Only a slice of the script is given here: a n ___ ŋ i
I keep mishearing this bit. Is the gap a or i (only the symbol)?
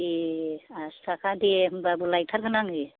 a